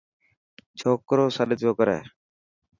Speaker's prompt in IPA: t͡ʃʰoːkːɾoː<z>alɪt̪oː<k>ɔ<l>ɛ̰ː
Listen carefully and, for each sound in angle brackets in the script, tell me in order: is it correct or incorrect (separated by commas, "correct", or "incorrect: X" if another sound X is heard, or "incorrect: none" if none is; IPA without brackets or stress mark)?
incorrect: s, correct, incorrect: ɾ